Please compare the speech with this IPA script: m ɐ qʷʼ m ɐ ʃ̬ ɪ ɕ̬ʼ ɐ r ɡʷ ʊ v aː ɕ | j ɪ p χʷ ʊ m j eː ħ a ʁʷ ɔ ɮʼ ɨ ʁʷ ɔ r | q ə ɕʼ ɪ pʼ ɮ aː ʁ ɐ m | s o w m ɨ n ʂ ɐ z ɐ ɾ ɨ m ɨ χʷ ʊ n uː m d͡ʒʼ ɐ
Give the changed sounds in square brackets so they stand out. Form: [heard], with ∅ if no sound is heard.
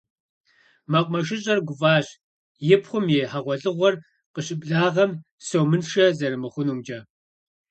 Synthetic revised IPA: m ɐ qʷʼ m ɐ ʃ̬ ɪ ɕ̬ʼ ɐ r ɡʷ ʊ v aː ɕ | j ɪ p χʷ ʊ m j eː ħ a ʁʷ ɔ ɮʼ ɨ ʁʷ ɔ r | q ə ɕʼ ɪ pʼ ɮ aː ʁ ɐ m | s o w m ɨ n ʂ ɐ z ɐ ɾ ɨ m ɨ χʷ ʊ n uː m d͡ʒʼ ɐ